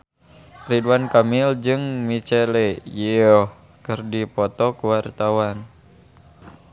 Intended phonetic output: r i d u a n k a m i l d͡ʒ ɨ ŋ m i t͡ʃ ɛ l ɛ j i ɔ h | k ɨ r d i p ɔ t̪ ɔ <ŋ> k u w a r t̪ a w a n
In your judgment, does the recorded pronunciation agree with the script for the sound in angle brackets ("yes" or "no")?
no